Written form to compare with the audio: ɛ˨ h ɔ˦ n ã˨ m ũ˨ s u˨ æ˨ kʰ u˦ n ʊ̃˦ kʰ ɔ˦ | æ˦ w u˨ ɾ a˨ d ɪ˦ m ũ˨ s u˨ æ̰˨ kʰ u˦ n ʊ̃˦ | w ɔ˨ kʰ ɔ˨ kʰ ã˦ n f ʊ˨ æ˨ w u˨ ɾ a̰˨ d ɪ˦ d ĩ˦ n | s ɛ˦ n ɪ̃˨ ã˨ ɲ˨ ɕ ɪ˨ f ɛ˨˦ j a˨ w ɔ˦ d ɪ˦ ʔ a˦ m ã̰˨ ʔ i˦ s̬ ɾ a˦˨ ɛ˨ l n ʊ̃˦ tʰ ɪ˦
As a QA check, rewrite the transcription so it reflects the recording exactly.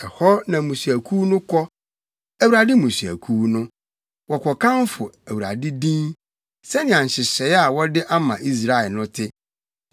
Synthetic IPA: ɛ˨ h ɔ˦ n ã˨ m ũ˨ s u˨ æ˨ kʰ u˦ n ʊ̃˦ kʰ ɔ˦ | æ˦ w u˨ ɾ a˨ d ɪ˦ m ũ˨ s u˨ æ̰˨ kʰ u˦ n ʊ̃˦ | w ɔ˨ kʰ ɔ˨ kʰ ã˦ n f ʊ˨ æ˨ w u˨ ɾ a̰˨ d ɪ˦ d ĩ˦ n | s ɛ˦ n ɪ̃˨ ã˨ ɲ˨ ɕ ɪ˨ ɕ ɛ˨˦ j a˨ w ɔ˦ d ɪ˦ ʔ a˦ m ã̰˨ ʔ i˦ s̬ ɾ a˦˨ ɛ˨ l n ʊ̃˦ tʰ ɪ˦